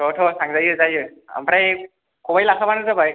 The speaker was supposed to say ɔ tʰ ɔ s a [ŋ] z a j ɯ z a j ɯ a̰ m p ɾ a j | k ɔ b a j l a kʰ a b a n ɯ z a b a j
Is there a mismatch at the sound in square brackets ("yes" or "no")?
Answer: no